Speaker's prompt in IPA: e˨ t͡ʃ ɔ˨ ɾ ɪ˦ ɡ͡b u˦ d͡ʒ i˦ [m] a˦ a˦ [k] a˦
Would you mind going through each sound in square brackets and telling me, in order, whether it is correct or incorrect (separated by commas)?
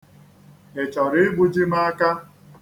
correct, correct